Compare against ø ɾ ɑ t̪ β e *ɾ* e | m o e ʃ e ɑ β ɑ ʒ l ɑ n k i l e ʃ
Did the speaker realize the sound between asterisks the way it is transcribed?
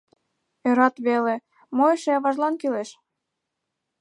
no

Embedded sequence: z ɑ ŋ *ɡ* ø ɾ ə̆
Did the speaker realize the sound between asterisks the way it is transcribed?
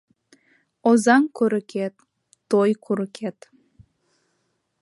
no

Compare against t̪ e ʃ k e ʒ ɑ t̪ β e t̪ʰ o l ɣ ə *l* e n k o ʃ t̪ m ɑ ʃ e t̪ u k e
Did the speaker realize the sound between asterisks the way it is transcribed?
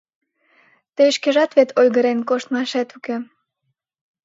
no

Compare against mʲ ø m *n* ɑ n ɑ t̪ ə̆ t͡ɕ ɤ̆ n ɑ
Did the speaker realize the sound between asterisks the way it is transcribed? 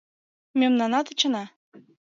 yes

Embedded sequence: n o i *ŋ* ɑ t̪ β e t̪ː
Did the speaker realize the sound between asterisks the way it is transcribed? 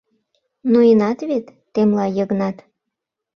no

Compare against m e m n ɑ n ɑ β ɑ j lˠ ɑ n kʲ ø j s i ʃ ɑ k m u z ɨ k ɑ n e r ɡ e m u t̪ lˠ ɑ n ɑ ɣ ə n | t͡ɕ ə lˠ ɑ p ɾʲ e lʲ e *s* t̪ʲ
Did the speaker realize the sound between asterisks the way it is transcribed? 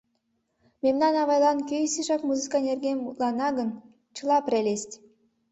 yes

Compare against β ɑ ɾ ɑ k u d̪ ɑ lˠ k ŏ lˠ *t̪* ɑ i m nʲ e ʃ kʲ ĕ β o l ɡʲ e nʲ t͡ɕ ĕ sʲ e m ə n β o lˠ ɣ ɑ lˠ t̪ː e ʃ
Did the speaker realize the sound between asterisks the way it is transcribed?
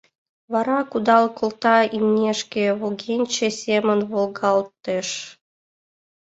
yes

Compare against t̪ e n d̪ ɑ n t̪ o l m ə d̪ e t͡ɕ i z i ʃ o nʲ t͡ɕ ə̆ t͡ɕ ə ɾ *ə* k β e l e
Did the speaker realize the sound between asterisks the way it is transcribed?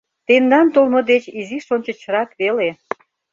no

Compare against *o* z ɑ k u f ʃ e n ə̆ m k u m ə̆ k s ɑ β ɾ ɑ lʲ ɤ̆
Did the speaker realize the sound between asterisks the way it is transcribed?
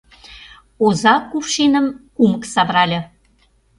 yes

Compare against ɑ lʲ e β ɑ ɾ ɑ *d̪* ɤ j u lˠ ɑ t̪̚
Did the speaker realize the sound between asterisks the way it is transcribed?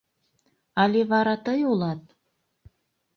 no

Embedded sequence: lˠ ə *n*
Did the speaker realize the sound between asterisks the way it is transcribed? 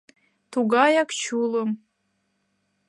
no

